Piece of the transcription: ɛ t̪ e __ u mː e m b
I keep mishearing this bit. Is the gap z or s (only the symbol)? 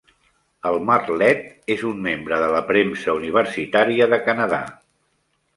z